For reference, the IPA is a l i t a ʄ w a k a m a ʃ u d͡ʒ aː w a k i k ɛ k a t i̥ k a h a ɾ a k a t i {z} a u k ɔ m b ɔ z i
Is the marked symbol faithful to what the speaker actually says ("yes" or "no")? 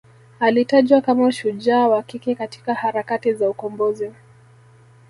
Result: yes